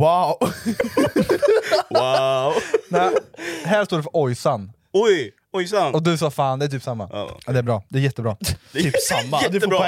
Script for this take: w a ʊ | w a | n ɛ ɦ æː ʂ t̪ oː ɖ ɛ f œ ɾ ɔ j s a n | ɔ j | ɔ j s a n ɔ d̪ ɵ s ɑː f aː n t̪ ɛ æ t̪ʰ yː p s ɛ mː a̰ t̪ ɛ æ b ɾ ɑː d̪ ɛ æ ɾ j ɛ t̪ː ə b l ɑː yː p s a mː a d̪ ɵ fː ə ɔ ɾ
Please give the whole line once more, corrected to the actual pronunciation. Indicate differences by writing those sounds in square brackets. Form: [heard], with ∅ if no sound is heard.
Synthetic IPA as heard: w a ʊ | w a | n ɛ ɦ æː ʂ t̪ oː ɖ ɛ f œ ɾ ɔ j s a n | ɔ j | ɔ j s a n ɔ d̪ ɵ s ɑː f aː n [d̪] ɛ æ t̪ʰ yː p s [a] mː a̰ [d̪] ɛ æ b ɾ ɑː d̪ ɛ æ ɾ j ɛ t̪ː ə b [ɾ] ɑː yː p s a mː a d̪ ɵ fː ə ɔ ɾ